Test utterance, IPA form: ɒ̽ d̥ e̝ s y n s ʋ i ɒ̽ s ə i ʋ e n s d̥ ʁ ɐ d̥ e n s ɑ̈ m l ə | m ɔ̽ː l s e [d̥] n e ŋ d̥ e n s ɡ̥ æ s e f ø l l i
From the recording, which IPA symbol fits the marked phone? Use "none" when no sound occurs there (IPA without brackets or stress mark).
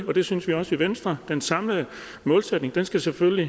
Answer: d̥